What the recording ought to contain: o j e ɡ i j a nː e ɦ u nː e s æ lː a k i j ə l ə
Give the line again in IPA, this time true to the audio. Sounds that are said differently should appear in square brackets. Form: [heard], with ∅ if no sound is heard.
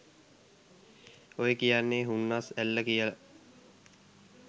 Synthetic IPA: o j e [k] i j a nː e ɦ u nː [a] s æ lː [ə] k i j ə l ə